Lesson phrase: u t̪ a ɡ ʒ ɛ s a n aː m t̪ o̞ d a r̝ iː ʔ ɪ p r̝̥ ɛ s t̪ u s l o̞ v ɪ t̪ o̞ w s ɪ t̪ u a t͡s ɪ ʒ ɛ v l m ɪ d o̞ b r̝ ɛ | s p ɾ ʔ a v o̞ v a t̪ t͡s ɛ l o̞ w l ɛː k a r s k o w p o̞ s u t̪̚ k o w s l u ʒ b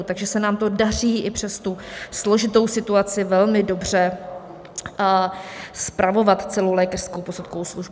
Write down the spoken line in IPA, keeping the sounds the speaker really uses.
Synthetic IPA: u t̪ a ɡ ʒ ɛ s ɛ n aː m t̪ o̞ d a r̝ iː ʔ ɪ p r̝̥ ɛ s t̪ u s l o̞ ʒ ɪ t̪ o̞ w s ɪ t̪ u a t͡s ɪ v ɛ l m ɪ d o̞ b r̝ ɛ | s p ɾ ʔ a v o̞ v a t̪ t͡s ɛ l o̞ w l ɛː k a r s k o w p o̞ s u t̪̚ k o w s l u ʒ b